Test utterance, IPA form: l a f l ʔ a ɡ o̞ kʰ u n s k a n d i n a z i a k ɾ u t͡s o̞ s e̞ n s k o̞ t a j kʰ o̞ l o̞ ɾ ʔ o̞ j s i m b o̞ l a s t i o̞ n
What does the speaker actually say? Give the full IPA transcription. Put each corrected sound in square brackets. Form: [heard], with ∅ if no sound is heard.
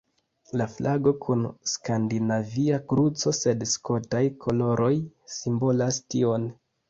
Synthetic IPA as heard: l a f l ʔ a ɡ o̞ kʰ u n s k a n d i n a [v] i a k ɾ u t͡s o̞ s e̞ [d] s k o̞ t a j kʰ o̞ l o̞ ɾ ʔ o̞ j s i m b o̞ l a s t i o̞ n